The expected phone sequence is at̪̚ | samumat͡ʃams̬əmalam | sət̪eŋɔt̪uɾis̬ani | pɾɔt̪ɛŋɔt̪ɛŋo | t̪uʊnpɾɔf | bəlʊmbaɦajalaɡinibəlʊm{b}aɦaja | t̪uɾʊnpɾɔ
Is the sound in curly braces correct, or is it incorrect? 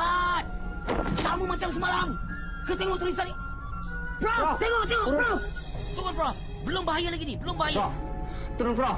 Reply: correct